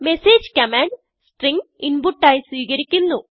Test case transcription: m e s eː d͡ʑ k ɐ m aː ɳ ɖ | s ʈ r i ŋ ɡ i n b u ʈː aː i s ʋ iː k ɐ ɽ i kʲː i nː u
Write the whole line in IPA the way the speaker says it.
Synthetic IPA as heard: m e s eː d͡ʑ k ɐ m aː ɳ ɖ | s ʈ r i ŋ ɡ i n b u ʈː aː j s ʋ iː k ɐ ɾ i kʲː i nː u